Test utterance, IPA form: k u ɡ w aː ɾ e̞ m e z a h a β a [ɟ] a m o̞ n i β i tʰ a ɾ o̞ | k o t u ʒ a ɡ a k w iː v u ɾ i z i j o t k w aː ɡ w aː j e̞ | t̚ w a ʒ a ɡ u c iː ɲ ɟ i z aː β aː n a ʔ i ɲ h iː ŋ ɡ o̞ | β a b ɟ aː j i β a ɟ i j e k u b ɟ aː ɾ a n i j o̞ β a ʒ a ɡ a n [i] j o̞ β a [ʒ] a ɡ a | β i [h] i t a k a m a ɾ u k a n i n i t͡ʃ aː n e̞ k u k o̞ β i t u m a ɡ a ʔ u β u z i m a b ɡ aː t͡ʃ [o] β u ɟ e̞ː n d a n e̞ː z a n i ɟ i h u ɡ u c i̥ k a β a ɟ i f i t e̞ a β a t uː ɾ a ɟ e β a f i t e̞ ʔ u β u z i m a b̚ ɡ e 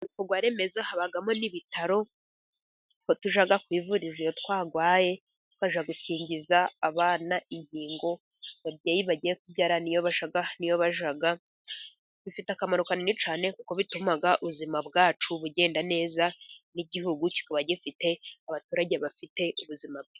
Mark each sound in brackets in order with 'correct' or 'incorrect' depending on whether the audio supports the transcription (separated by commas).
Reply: incorrect, correct, correct, incorrect, incorrect